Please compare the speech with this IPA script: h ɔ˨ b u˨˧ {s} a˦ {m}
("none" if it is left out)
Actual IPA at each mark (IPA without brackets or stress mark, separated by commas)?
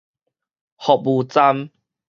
t͡s, m